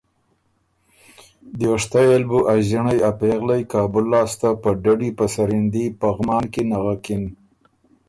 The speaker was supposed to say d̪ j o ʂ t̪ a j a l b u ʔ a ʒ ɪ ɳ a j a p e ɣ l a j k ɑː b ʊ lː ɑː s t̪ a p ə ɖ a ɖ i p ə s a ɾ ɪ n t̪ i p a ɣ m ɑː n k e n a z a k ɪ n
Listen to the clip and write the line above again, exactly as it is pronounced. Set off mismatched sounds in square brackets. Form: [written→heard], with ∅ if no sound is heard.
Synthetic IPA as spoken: d̪ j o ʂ t̪ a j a l b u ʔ a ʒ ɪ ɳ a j a p e ɣ l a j k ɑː b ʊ lː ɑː s t̪ a p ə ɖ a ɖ i p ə s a ɾ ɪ n [t̪→d̪] i p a ɣ m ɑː n k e n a [z→ɣ] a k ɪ n